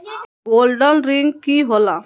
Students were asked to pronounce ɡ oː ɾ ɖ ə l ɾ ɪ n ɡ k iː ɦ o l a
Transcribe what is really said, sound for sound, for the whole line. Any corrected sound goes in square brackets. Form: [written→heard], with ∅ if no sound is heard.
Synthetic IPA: ɡ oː [ɾ→l] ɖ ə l ɾ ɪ [n→ŋ] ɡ k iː ɦ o l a